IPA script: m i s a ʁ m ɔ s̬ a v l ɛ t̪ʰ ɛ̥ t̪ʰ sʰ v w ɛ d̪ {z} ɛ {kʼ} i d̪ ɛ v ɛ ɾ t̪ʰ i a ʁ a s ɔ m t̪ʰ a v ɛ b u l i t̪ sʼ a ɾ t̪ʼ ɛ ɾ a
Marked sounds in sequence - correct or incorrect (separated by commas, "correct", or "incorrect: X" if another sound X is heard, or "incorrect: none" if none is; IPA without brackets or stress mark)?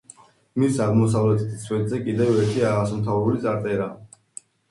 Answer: correct, correct